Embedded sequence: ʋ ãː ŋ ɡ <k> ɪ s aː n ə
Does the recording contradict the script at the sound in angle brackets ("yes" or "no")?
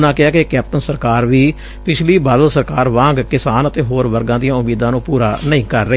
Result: no